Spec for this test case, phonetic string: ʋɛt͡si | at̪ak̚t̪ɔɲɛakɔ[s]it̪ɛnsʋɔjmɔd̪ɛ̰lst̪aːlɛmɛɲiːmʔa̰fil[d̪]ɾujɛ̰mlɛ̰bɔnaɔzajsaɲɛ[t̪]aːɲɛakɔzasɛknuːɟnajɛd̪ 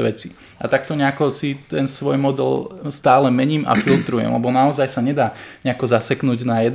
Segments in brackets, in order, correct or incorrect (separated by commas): correct, incorrect, incorrect